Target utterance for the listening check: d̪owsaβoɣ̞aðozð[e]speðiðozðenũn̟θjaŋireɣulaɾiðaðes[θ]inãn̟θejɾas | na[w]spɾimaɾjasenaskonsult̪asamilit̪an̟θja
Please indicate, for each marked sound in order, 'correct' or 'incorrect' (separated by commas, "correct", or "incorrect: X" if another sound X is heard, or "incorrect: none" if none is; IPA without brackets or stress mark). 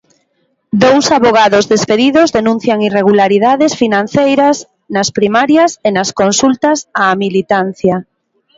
correct, incorrect: f, incorrect: none